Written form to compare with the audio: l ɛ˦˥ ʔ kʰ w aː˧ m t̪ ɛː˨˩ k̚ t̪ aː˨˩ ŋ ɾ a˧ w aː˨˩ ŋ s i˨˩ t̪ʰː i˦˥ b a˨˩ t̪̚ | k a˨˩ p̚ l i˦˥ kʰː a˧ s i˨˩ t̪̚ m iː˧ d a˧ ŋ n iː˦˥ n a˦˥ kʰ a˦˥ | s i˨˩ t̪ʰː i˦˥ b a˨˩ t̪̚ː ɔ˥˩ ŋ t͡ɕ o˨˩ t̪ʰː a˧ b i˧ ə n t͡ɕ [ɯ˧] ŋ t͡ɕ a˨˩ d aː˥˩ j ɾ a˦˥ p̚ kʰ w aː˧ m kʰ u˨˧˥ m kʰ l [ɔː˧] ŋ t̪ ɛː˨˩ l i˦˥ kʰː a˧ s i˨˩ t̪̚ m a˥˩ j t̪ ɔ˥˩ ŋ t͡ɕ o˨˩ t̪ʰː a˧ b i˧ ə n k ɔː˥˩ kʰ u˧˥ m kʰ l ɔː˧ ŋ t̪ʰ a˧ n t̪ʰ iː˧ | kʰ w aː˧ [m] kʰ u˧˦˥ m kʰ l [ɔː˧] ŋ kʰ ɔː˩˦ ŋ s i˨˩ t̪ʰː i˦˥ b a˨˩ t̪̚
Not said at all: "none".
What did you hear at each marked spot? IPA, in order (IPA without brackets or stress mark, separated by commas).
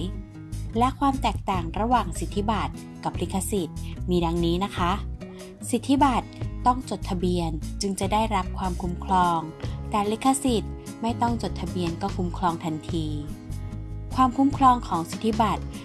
ɯ˧, ɔː˧, m, ɔː˧